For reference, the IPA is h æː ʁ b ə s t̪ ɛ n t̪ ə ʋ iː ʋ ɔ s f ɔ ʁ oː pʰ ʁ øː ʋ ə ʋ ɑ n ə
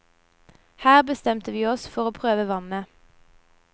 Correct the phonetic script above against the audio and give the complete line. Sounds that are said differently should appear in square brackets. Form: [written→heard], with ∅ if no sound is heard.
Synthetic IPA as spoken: h æː ʁ b ə s t̪ ɛ [n→m] t̪ ə ʋ iː [ʋ→∅] ɔ s f ɔ ʁ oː pʰ ʁ øː ʋ ə ʋ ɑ n ə

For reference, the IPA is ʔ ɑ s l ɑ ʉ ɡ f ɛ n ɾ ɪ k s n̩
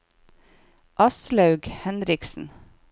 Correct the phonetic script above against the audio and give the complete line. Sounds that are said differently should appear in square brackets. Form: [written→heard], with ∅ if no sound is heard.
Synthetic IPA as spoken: ʔ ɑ s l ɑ ʉ ɡ [f→h] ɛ n ɾ ɪ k s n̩

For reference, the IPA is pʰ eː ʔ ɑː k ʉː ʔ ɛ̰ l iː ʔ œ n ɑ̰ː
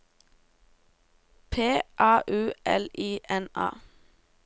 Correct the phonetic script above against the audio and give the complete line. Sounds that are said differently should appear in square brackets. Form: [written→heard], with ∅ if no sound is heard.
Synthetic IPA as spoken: pʰ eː ʔ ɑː [k→ʔ] ʉː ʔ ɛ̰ l iː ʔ [œ→ɛ] n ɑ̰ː

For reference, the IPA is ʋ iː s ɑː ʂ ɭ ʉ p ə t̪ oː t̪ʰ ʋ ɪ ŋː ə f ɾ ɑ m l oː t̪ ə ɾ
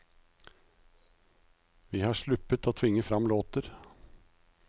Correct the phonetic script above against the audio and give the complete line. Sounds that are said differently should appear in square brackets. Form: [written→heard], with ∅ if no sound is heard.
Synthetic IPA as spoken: ʋ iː [s→h] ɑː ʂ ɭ ʉ p ə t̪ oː t̪ʰ ʋ ɪ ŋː ə f ɾ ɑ m l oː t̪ ə ɾ

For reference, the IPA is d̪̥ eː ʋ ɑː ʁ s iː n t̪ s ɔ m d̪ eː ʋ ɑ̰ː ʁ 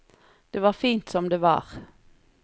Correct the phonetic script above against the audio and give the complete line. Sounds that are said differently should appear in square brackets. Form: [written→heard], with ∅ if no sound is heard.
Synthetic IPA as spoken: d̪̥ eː ʋ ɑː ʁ [s→f] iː n t̪ s ɔ m d̪ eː ʋ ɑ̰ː ʁ

